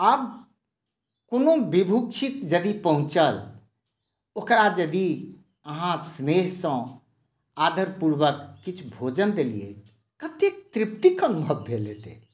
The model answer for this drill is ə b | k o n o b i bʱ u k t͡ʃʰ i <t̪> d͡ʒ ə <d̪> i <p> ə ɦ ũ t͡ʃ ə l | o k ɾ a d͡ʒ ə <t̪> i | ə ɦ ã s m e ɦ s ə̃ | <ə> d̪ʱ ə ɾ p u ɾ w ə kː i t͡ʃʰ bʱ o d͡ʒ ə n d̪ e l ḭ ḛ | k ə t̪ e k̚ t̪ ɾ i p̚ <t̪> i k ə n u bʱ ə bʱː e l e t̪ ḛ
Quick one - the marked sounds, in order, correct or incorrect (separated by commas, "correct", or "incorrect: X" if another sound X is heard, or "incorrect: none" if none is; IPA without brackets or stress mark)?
correct, correct, correct, incorrect: d̪, incorrect: a, correct